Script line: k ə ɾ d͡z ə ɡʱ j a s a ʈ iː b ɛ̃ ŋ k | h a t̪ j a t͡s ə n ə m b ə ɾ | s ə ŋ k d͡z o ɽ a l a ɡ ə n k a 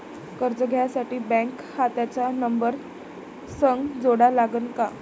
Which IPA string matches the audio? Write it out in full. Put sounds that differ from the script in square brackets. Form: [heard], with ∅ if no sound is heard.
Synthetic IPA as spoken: k ə ɾ d͡z ə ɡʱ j a s a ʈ iː b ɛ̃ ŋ k | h a t̪ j a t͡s [a] n ə m b ə ɾ | s ə ŋ [ɡ] d͡z o ɽ a l a ɡ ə n k a

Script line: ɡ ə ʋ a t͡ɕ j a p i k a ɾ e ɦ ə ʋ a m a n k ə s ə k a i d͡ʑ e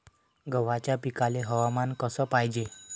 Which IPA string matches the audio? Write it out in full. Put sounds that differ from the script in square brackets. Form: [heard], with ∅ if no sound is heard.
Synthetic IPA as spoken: ɡ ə ʋ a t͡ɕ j a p i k a [l] e ɦ ə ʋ a m a n k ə s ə [p] a [j] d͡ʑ e

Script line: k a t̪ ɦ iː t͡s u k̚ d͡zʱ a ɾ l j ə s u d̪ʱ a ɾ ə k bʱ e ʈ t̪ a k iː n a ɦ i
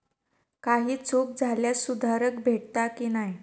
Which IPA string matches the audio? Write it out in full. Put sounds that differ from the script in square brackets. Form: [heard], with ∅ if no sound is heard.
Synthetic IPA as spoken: k a [∅] ɦ iː t͡s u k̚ d͡zʱ a [∅] l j [a] s u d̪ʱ a ɾ ə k bʱ e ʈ t̪ a k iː n a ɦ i

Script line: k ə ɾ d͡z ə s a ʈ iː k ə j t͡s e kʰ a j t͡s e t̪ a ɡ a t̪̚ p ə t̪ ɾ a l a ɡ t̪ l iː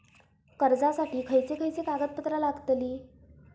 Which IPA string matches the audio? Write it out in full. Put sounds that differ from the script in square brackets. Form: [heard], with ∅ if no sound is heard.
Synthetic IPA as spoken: k ə ɾ d͡z [a] s a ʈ iː [kʰ] ə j t͡s e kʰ [ə] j t͡s e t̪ a ɡ [ə] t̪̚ p ə t̪ ɾ a l a ɡ t̪ l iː

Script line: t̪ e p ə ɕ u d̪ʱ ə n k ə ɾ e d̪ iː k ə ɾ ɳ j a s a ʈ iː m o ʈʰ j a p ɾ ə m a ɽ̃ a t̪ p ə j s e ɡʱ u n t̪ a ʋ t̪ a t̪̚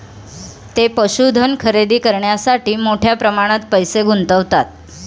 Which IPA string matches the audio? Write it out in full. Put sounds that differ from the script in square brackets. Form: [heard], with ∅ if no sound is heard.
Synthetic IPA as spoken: t̪ e p ə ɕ u d̪ʱ ə n [kʰ] ə ɾ e d̪ iː k ə ɾ ɳ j a s a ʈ iː m o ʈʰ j a p ɾ ə m a ɽ̃ a t̪ p ə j s e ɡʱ u n t̪ [ə] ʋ t̪ a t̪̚

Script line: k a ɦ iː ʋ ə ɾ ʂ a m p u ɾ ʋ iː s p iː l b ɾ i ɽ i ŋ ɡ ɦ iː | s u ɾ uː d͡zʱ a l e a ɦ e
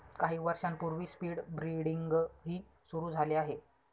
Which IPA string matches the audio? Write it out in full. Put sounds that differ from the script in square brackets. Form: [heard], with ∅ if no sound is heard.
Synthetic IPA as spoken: k a ɦ iː ʋ ə ɾ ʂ a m p u ɾ ʋ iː s p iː [ɽ] b ɾ i ɽ i ŋ ɡ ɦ iː | s u ɾ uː d͡zʱ a l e a ɦ e

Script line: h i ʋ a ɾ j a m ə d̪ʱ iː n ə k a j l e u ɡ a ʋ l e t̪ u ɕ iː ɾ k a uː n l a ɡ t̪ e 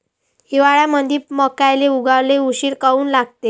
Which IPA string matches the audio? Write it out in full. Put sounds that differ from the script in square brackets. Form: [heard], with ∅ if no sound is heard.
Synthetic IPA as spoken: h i ʋ a [ɭ] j a m ə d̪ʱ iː [m] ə k a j l e u ɡ a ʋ l e [∅] u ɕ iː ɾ k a uː n l a ɡ t̪ e

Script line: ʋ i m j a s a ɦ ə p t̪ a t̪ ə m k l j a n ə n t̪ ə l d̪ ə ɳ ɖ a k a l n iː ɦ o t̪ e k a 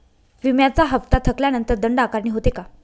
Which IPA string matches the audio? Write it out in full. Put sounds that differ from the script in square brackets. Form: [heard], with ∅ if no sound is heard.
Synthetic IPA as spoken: ʋ i m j a [t͡s] a ɦ ə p t̪ a [t̪ʰ] ə [∅] k l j a n ə n t̪ ə [ɾ] d̪ ə ɳ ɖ a k a [ɾ] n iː ɦ o t̪ e k a

